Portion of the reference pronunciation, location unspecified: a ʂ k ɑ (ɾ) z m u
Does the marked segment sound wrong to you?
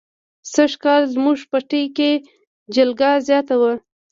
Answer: yes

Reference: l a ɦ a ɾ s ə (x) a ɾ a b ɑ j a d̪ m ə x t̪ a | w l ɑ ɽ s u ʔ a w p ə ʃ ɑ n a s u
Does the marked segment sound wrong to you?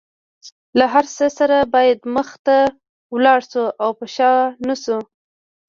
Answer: yes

